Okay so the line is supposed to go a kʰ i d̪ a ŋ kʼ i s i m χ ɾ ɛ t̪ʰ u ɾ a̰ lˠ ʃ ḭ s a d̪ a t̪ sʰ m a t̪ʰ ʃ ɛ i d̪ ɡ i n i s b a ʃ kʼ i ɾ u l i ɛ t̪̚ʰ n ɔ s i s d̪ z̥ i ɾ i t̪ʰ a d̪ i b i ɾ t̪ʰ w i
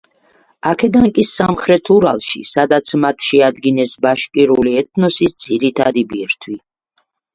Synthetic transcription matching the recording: a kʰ ɛ d̪ a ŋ kʼ i s a m χ ɾ ɛ t̪ʰ u ɾ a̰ lˠ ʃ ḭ s a d̪ a t̪ sʰ m a t̪ʰ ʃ ɛ a d̪ ɡ i n ɛ s b a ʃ kʼ i ɾ u l i ɛ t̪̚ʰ n ɔ s i s d̪ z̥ i ɾ i t̪ʰ a d̪ i b i ɾ t̪ʰ w i